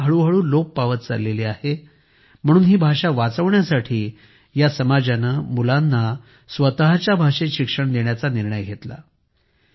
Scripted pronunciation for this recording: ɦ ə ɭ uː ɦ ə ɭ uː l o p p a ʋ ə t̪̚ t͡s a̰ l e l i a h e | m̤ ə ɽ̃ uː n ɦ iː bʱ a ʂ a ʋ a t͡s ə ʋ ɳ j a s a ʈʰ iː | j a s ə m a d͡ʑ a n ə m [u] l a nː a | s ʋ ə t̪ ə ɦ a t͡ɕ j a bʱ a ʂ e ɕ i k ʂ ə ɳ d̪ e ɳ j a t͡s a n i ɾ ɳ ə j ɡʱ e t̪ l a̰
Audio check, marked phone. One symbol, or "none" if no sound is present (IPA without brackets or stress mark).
u